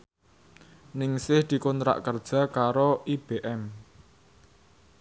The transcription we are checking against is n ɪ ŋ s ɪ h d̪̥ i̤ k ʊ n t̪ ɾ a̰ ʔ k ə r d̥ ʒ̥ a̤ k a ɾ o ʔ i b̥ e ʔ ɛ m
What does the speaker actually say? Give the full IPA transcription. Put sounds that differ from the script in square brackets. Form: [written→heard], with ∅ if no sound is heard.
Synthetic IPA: n ɪ ŋ s ɪ h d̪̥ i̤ k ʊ n t̪ ɾ a̰ ʔ k ə r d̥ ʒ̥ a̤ k a ɾ o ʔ i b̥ e ʔ ɛ m